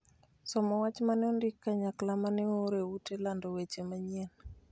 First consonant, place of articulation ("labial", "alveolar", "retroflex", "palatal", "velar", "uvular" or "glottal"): alveolar